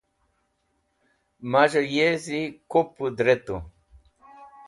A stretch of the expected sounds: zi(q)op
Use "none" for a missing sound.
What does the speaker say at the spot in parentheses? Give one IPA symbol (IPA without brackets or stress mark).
k